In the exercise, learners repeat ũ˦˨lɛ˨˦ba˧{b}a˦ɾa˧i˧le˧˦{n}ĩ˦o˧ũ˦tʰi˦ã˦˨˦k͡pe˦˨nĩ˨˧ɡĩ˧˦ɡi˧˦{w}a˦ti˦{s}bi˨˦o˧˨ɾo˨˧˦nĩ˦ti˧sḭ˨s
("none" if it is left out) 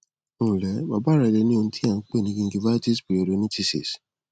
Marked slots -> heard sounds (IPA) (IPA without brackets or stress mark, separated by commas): b, n, v, s